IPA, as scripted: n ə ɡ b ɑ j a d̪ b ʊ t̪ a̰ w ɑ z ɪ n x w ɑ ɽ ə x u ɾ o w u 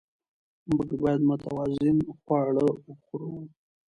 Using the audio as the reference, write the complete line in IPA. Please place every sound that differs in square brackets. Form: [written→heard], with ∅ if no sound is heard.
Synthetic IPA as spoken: [n→m] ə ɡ b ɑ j a d̪ [b→m] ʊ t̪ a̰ w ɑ z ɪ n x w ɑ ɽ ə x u ɾ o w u